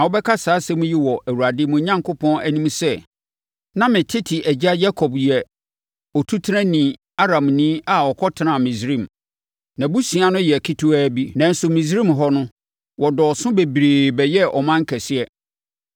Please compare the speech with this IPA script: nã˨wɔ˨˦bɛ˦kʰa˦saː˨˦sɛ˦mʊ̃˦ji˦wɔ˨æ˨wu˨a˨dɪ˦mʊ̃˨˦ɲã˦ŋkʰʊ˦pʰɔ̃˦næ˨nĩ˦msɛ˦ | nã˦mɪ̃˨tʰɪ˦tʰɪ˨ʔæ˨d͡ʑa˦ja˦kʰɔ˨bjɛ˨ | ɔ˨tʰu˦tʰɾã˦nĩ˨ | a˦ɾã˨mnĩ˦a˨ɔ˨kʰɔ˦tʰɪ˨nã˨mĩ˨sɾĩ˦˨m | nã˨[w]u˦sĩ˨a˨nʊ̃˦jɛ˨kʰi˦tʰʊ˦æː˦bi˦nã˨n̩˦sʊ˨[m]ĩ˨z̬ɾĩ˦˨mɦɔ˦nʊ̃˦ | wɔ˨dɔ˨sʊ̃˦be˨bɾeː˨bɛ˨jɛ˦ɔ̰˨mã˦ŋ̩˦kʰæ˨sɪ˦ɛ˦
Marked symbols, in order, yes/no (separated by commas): no, yes